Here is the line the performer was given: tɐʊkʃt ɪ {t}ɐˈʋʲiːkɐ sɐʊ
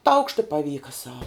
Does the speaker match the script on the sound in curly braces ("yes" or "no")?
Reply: no